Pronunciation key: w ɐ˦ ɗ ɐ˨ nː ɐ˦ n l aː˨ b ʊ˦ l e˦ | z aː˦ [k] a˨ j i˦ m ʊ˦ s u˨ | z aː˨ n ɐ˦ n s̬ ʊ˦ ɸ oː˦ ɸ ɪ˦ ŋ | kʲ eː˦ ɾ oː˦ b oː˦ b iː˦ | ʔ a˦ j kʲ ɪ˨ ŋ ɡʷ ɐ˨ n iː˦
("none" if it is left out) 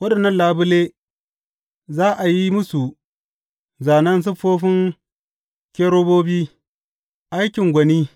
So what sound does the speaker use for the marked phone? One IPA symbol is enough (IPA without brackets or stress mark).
ʔ